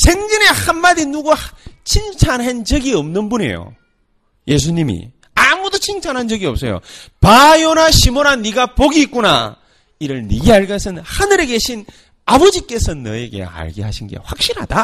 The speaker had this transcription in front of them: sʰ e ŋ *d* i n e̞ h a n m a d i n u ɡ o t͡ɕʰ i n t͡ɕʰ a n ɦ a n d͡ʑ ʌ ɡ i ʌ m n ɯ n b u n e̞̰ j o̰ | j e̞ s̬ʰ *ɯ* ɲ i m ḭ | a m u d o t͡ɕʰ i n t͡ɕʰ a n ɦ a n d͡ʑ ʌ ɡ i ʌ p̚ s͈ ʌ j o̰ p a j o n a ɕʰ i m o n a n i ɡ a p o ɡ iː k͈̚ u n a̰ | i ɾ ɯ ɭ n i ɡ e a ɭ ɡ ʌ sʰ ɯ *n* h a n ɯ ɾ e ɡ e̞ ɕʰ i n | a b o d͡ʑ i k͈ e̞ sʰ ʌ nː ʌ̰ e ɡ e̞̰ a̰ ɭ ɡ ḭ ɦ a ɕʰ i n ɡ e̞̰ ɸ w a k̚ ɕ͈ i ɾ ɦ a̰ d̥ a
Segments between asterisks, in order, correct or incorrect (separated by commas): incorrect, incorrect, correct